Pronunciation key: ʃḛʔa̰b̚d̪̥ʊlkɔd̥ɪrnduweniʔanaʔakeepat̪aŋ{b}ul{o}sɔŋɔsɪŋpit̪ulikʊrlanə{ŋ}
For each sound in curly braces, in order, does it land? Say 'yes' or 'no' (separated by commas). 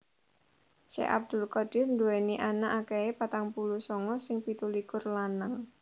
no, no, yes